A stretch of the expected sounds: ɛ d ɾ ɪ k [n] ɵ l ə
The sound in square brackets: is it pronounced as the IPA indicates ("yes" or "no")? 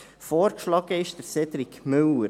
no